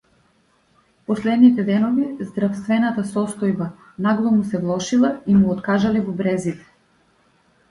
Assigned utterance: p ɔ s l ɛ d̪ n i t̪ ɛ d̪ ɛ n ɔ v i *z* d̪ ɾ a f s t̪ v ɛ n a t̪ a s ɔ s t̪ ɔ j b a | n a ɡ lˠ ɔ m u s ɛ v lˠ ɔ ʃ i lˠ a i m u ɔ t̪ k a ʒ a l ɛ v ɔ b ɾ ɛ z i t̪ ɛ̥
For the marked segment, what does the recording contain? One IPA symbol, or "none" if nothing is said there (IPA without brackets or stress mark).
z